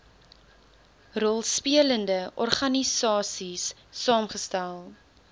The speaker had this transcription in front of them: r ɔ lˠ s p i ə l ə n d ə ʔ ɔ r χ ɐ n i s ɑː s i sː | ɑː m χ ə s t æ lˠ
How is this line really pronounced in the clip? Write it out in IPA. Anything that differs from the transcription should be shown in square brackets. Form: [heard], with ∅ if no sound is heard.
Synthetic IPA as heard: r ɔ lˠ s p i ə l ə n d ə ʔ ɔ r χ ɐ n i s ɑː s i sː | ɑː m χ ə s t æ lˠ

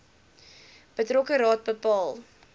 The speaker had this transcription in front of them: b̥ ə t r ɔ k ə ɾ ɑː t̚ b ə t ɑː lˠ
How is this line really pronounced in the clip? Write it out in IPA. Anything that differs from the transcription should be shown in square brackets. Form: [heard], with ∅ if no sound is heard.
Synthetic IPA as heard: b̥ ə t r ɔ k ə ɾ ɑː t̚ b ə [p] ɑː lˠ

